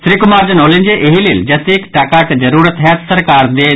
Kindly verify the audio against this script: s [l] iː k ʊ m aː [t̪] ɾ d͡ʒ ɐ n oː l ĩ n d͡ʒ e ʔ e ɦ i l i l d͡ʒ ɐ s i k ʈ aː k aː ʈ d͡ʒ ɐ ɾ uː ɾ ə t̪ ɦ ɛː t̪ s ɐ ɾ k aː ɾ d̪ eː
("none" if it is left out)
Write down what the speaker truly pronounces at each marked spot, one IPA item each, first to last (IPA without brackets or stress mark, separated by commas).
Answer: ɾ, none